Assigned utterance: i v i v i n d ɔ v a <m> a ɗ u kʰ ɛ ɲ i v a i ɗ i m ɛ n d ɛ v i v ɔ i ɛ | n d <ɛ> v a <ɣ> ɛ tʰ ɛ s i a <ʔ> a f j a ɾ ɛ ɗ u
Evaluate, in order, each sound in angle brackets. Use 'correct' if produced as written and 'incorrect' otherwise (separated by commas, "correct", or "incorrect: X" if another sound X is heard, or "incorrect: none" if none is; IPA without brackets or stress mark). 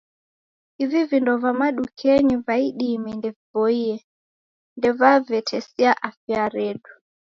correct, correct, incorrect: v, correct